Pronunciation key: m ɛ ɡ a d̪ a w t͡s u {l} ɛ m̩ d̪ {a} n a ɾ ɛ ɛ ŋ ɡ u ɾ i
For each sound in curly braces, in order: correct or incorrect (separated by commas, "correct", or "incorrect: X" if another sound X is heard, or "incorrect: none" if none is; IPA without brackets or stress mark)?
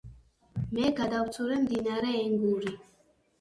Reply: incorrect: ɾ, incorrect: i